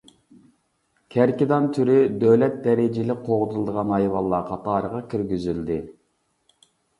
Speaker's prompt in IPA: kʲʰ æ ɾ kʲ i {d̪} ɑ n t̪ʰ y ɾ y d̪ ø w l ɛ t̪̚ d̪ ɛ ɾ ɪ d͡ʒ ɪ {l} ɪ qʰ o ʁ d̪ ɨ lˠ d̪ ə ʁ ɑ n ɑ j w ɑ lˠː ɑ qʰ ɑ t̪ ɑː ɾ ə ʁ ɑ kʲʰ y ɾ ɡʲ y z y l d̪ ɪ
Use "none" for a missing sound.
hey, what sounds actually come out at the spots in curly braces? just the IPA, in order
d̪, l

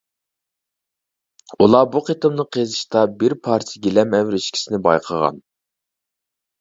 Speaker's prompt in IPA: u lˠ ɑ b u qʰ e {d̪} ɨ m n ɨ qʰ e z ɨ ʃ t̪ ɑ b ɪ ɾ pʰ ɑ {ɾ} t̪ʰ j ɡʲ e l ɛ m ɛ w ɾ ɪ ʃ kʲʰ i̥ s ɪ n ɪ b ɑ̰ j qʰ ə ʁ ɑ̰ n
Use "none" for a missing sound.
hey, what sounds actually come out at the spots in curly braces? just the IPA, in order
t̪, ɾ

